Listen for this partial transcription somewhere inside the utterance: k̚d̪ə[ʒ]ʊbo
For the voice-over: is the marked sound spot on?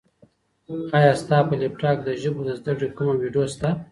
yes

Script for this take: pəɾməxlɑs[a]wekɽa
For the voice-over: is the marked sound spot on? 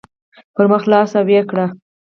yes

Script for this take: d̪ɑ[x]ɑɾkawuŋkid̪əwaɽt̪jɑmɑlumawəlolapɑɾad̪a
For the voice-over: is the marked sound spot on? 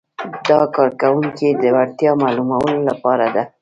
no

